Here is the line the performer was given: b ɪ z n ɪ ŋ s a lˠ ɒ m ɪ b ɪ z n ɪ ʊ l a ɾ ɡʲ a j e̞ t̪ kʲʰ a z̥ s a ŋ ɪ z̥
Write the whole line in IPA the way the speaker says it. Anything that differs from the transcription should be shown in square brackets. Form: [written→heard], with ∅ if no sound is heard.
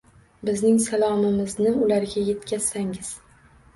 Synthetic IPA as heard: b ɪ z n ɪ ŋ s a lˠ ɒ m ɪ [b→m] ɪ z n ɪ ʊ l a ɾ ɡʲ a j e̞ t̪ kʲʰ a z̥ s a ŋ ɪ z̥